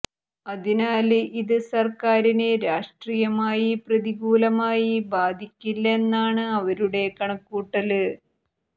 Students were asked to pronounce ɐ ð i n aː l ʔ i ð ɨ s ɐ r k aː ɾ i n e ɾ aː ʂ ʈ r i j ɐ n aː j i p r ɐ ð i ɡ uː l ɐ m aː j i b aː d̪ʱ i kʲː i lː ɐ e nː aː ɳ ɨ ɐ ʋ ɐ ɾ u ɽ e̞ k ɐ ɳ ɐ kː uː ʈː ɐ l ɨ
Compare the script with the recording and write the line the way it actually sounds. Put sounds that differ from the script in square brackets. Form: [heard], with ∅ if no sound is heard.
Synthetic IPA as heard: ɐ ð i n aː l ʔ i ð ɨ s ɐ r k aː ɾ i n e ɾ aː ʂ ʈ r i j ɐ [m] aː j i p r ɐ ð i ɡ uː l ɐ m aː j i b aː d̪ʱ i kʲː i lː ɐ e nː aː ɳ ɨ ɐ ʋ ɐ ɾ u ɽ e̞ k ɐ ɳ ɐ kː uː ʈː ɐ l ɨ